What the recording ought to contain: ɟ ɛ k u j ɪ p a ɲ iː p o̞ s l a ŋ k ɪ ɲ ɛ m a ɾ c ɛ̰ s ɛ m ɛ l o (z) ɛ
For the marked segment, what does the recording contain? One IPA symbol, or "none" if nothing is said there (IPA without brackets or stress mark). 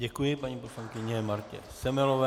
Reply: v